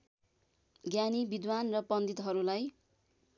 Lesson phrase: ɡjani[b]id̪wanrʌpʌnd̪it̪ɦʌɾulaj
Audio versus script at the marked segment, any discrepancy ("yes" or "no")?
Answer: no